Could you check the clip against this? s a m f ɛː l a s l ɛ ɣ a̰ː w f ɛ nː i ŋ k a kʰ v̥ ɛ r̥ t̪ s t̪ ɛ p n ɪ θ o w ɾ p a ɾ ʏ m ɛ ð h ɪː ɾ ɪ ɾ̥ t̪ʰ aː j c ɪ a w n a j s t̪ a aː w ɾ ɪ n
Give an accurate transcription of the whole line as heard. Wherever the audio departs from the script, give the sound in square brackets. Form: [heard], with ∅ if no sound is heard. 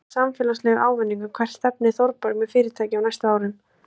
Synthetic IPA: s a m f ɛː l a s l ɛ ɣ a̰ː w [v] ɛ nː i ŋ k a kʰ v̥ ɛ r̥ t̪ s t̪ ɛ p n ɪ θ o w ɾ p a ɾ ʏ m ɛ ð [f] ɪː ɾ ɪ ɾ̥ t̪ʰ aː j c ɪ a w n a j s t̪ a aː w ɾ ɪ n